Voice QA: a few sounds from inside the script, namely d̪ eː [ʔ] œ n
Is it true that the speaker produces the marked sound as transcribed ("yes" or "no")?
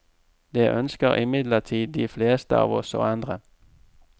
yes